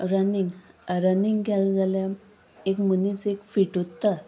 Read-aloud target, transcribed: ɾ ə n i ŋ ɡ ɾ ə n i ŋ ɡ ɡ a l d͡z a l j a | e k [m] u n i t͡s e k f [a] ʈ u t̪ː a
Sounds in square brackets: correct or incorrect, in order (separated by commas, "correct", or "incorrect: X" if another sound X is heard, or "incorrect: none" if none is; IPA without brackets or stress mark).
correct, incorrect: i